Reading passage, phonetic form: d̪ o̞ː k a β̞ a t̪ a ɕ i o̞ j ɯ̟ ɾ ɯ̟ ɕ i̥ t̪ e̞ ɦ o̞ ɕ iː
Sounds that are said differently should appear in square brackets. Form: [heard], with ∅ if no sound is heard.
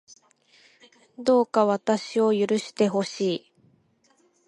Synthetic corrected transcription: d̪ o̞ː k a β̞ a t̪ a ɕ i o̞ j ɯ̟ ɾ ɯ̟ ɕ i̥ t̪ e̞ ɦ o̞ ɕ iː